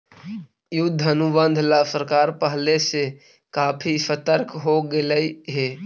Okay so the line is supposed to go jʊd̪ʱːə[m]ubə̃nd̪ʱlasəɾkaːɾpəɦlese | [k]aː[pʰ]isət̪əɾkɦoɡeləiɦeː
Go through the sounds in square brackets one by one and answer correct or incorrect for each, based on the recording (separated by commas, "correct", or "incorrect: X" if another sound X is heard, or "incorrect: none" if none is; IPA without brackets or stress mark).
incorrect: n, correct, correct